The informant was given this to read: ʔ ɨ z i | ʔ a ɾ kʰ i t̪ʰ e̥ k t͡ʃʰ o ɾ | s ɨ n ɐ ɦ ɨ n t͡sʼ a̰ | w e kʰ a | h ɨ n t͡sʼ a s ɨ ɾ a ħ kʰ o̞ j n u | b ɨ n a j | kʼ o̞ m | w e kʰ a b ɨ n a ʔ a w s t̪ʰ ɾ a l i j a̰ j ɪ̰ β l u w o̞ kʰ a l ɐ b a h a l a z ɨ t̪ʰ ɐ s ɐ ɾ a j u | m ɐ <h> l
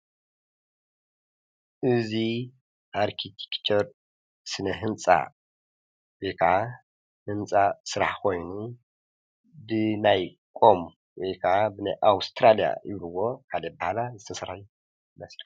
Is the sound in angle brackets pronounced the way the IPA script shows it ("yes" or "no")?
no